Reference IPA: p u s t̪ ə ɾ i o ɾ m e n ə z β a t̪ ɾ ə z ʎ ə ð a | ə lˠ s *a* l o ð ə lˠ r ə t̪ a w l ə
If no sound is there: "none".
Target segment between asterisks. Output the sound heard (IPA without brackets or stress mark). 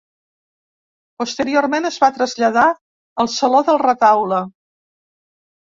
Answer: ə